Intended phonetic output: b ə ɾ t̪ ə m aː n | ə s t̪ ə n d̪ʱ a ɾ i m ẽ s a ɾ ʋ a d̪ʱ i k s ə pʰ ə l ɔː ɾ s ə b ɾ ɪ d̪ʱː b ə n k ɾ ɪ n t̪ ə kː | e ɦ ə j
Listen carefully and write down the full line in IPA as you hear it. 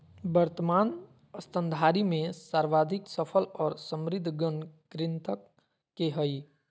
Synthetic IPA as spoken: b ə ɾ t̪ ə m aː n | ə s t̪ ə n d̪ʱ a ɾ i m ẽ s a ɾ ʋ a d̪ʱ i k s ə pʰ ə l ɔː ɾ s ə m ɾ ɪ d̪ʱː ɡ ə n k ɾ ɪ n t̪ ə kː | e ɦ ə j